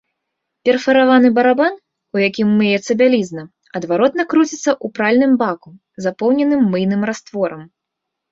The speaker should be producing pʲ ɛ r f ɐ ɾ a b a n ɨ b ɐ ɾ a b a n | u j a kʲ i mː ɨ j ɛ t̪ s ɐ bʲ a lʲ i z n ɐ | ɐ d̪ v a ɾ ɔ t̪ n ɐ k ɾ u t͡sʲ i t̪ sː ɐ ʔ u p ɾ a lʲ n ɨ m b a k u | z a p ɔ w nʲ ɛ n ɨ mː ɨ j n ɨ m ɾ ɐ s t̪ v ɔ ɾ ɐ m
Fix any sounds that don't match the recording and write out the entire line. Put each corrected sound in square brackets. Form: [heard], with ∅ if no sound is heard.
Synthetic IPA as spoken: pʲ ɛ r f ɐ ɾ a [v] a n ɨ b ɐ ɾ a b a n | u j a kʲ i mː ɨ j ɛ t̪ s ɐ bʲ a lʲ i z n ɐ | ɐ d̪ v a ɾ ɔ t̪ n ɐ k ɾ u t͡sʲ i t̪ sː ɐ ʔ u p ɾ a lʲ n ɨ m b a k u | z a p ɔ w nʲ ɛ n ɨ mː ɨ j n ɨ m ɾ [a] s t̪ v ɔ ɾ ɐ m